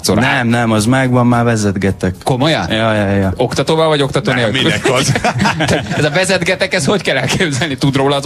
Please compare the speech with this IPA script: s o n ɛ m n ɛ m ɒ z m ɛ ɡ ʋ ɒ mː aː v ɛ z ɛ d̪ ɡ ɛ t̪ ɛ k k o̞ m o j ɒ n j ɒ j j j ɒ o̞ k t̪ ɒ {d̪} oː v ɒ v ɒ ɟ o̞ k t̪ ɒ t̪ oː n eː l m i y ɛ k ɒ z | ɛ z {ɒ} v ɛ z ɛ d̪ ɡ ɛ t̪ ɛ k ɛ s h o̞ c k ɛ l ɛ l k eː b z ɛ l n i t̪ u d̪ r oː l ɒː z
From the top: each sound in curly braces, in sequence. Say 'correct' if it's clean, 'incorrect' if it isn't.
incorrect: t̪, correct

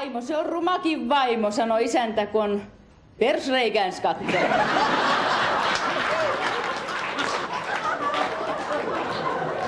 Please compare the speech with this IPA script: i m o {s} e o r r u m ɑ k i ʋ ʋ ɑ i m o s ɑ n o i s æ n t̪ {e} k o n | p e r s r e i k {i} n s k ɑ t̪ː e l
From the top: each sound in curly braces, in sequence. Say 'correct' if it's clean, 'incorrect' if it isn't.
correct, incorrect: æ, incorrect: æ

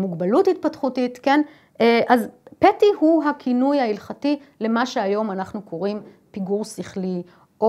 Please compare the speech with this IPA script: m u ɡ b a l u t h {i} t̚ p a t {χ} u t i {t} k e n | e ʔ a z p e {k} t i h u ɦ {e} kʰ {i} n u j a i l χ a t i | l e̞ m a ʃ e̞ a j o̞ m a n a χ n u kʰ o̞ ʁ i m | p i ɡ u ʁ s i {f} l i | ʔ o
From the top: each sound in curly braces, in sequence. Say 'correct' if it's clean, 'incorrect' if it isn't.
correct, correct, correct, incorrect: none, incorrect: a, correct, incorrect: χ

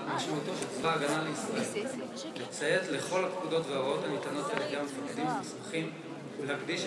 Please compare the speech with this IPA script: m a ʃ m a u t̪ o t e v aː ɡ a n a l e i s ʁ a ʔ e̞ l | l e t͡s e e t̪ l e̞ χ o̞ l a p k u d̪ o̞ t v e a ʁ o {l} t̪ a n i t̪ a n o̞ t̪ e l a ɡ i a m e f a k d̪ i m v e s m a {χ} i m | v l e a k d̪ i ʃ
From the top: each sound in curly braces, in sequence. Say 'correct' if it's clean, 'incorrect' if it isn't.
incorrect: none, correct

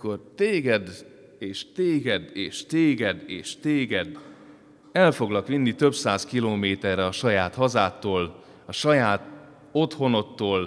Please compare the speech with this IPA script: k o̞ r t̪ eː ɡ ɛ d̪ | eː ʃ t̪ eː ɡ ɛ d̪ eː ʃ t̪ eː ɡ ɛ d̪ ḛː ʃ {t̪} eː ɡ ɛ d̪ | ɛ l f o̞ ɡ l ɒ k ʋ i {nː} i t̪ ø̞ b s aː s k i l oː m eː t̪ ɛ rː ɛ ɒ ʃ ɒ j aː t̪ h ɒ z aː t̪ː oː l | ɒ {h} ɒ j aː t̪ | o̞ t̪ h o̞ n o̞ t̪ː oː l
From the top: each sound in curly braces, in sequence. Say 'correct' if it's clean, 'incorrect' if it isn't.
correct, correct, incorrect: ʃ

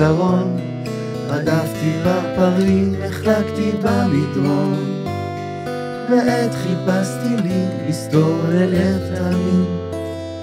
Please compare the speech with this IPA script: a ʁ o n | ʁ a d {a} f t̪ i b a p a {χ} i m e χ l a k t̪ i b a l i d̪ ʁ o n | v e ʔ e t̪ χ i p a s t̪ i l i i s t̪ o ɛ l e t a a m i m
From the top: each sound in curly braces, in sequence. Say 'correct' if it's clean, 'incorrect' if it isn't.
correct, incorrect: ʁ

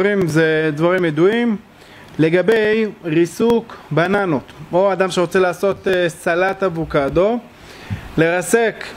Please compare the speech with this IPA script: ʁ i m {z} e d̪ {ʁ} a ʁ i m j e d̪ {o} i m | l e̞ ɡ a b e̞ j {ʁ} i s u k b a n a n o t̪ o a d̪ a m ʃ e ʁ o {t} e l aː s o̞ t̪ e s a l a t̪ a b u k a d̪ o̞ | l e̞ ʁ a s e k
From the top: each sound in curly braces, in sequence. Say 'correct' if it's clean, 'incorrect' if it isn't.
correct, incorrect: v, incorrect: u, correct, incorrect: t͡s

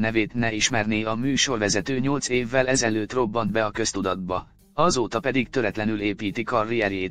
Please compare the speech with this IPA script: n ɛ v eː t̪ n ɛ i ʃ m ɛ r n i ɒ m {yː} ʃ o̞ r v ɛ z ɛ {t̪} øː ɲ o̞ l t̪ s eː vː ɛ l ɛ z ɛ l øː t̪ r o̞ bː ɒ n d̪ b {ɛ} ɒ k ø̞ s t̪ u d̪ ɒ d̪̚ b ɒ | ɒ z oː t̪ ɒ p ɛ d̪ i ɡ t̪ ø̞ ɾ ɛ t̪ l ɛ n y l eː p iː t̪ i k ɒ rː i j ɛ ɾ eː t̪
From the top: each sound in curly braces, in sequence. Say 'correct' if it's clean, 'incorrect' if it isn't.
correct, correct, correct

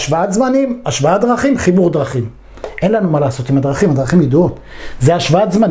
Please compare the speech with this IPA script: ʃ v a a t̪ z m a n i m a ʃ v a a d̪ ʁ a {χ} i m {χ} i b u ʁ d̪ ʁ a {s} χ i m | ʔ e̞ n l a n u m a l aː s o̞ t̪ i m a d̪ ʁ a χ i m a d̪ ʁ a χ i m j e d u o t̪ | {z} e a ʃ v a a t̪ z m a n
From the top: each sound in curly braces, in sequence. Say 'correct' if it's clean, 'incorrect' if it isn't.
correct, correct, incorrect: none, correct

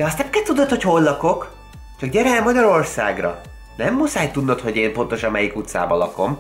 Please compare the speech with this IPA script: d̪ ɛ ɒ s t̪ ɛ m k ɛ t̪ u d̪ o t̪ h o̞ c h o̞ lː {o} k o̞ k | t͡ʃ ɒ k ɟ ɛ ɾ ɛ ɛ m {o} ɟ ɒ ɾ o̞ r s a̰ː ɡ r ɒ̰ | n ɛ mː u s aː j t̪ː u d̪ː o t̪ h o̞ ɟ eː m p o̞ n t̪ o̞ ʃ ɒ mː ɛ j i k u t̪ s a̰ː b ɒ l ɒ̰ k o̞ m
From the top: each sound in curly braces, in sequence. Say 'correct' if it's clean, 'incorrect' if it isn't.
incorrect: ɒ, incorrect: ɒ

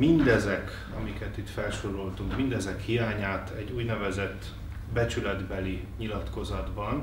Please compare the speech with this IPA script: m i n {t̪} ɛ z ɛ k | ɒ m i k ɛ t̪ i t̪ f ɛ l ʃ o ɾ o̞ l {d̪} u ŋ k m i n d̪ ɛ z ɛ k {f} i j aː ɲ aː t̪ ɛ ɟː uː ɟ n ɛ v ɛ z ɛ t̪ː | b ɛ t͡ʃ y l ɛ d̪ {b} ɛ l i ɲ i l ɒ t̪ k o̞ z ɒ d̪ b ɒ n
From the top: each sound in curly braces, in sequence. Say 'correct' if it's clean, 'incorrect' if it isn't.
incorrect: d̪, incorrect: t̪, incorrect: h, correct

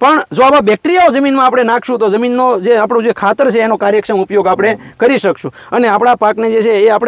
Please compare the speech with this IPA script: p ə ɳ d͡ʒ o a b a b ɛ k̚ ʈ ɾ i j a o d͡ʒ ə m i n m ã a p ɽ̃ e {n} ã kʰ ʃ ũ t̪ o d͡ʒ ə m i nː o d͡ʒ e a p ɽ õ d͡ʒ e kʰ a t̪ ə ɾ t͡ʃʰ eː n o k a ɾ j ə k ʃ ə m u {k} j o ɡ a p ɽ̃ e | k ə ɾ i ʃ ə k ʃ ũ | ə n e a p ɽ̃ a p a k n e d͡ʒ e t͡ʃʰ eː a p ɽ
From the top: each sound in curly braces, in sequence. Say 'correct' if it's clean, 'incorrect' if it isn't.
correct, incorrect: p

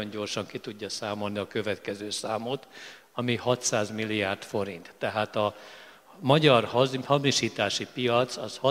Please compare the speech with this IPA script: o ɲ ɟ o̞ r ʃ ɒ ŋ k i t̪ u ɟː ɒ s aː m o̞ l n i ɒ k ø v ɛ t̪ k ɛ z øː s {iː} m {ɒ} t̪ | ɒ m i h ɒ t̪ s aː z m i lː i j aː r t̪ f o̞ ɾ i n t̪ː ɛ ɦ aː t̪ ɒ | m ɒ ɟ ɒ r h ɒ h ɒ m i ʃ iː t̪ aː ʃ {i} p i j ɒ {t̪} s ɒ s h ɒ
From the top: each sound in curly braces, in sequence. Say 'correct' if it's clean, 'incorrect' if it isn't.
incorrect: aː, incorrect: o, correct, correct

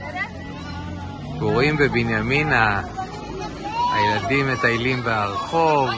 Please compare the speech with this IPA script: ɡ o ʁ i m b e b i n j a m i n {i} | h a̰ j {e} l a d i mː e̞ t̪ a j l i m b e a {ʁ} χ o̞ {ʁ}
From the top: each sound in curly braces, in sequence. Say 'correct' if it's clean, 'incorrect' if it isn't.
incorrect: a, correct, correct, incorrect: v

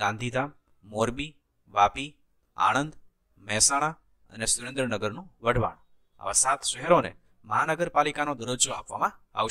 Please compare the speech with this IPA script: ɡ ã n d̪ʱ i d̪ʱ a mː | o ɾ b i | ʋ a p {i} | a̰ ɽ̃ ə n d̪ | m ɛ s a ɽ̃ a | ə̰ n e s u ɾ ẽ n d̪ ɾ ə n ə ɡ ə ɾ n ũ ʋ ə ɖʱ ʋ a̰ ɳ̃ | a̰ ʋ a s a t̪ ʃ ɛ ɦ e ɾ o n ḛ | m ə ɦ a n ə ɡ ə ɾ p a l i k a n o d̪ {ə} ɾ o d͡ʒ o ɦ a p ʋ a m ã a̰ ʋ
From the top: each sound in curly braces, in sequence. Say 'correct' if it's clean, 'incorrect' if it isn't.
correct, correct

